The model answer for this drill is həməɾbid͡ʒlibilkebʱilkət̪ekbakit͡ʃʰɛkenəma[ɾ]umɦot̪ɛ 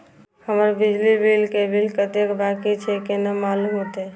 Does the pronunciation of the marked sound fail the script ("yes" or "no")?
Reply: yes